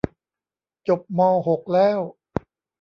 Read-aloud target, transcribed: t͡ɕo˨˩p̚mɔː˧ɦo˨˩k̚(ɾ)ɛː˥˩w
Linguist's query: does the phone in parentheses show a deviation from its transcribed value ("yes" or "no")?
yes